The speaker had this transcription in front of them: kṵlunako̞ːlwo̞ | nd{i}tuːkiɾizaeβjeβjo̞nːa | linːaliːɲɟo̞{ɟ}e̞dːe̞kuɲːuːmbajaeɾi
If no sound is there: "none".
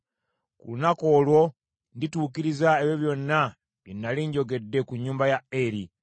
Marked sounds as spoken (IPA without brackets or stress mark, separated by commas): i, ɡ